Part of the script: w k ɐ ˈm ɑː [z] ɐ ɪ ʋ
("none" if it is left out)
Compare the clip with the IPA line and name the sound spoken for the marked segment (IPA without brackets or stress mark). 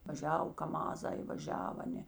z